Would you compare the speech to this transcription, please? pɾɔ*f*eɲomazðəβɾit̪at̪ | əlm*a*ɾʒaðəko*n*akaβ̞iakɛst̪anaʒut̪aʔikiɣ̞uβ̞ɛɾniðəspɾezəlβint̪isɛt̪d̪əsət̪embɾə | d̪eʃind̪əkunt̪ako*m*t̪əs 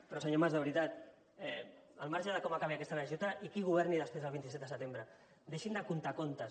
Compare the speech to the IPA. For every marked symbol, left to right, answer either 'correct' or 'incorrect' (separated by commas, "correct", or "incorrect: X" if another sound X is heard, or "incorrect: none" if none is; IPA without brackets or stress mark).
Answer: incorrect: s, correct, incorrect: m, incorrect: n